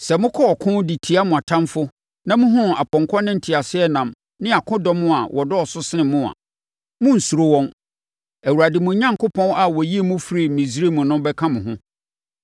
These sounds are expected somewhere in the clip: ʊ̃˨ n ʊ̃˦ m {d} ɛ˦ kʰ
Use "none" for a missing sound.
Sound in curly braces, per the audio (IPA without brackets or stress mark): b